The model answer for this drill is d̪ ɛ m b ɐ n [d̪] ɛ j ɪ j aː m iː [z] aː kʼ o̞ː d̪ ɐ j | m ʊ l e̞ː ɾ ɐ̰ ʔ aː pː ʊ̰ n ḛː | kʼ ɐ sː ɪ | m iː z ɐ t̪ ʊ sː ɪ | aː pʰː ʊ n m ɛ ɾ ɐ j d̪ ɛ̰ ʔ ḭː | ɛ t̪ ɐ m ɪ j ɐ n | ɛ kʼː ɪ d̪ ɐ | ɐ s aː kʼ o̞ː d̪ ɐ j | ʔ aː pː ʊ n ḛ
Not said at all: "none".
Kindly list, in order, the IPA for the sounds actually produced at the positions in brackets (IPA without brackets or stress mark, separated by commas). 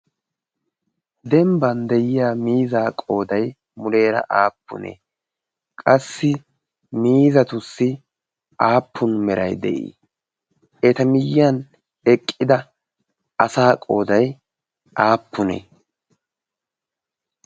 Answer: d̪, z